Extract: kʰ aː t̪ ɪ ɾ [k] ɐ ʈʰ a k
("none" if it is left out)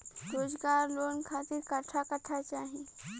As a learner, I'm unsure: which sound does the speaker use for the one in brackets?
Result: k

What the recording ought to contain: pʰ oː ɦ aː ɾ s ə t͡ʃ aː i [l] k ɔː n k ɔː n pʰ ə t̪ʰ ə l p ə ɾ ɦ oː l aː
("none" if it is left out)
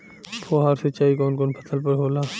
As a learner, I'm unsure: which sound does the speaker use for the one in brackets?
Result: none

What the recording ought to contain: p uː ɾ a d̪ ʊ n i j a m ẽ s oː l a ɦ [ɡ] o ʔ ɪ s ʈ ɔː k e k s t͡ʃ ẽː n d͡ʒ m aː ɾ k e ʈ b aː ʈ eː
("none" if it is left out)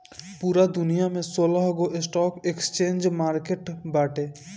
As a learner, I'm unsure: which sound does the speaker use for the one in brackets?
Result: ɡ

